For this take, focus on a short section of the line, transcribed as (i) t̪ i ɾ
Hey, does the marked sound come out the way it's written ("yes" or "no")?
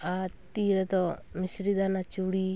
no